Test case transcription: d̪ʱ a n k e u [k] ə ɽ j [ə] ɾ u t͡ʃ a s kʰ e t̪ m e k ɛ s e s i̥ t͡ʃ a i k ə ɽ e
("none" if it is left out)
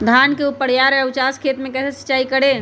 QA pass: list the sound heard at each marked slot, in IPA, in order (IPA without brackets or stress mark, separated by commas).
p, a